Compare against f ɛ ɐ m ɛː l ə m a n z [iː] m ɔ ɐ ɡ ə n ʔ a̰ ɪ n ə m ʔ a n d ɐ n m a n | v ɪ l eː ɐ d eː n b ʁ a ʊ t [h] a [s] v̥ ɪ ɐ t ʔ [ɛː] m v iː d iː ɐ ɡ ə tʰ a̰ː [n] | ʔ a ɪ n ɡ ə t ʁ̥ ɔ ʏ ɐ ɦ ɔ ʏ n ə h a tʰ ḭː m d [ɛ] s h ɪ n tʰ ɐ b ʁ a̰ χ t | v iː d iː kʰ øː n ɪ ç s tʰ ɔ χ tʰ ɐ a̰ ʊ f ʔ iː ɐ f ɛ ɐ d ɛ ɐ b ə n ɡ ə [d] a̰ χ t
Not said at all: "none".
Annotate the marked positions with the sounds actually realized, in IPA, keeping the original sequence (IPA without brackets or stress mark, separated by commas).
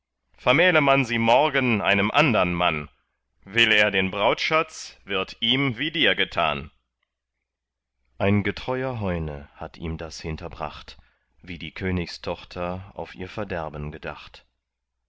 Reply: iː, ʃ, t͡s, iː, n, a, d